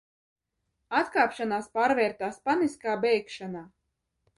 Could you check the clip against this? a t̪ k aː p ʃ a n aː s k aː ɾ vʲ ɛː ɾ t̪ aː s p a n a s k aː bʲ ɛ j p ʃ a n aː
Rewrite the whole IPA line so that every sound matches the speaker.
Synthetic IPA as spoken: a t̪ k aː p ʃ a n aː s p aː ɾ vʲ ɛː ɾ t̪ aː s p a n i s k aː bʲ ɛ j k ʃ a n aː